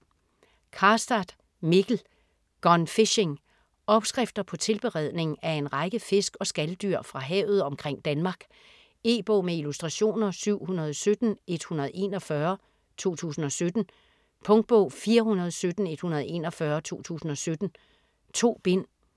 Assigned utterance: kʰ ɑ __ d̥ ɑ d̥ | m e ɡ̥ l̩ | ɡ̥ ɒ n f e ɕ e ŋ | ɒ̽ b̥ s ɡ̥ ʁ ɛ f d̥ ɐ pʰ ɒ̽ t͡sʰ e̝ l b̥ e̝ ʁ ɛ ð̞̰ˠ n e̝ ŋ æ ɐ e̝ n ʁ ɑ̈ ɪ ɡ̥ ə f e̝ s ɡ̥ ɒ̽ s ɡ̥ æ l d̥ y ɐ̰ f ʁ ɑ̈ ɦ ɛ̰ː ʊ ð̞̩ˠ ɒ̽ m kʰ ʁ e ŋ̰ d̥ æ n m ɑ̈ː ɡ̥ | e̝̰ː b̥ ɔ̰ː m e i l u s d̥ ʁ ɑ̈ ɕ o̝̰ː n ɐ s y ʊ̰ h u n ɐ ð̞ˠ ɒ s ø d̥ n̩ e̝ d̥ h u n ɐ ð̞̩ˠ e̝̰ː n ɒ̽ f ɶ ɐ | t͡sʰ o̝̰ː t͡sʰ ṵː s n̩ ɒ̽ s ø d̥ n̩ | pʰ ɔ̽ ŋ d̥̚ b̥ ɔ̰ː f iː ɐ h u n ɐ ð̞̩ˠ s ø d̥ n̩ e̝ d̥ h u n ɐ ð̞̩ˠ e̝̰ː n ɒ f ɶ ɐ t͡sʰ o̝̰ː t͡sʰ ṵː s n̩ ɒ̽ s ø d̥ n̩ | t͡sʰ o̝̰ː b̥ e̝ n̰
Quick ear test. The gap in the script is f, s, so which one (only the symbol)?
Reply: s